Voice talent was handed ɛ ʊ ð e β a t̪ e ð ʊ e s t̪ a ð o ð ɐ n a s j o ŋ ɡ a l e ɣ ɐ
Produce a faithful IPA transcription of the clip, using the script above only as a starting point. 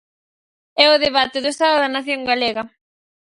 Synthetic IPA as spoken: ɛ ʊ ð e β a t̪ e ð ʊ e s t̪ a ð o ð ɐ n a θ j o ŋ ɡ a l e ɣ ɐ